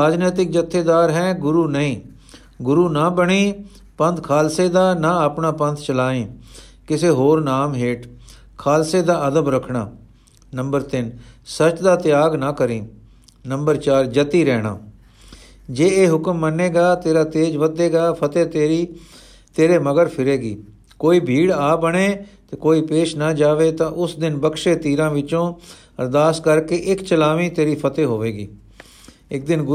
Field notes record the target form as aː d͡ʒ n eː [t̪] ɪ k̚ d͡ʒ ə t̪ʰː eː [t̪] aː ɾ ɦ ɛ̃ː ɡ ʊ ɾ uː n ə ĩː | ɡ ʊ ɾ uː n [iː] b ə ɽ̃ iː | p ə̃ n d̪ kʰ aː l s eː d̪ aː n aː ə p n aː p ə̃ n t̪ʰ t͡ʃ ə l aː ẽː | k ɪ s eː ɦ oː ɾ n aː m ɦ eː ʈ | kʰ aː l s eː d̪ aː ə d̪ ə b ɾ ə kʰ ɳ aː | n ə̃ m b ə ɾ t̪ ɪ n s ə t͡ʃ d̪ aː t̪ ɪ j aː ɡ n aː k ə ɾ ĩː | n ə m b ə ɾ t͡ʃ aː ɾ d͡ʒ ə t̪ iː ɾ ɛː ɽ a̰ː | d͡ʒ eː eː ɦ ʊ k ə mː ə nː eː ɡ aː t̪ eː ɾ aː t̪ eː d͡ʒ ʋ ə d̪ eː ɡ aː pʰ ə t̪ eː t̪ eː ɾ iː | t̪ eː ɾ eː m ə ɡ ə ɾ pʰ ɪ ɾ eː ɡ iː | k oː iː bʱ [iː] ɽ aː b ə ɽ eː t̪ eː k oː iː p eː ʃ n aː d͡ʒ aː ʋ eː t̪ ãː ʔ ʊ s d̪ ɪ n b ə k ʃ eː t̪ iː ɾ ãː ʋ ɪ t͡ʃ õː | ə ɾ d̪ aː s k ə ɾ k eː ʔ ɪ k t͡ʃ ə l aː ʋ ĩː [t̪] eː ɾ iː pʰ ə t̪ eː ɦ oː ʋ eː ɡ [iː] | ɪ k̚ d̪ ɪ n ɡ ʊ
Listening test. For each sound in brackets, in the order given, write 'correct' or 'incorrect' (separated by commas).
correct, incorrect, incorrect, correct, correct, correct